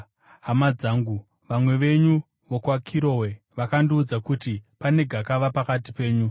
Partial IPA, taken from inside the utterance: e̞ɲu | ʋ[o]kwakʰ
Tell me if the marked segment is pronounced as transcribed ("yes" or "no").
yes